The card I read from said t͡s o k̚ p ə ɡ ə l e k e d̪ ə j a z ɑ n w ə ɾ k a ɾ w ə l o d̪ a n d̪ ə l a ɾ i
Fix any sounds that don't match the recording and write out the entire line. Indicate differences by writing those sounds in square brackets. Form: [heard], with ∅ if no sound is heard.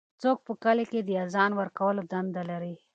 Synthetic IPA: t͡s o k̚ p ə [k] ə l e k e d̪ ə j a z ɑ n w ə ɾ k a [∅] w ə l o d̪ a n d̪ [a] l a ɾ i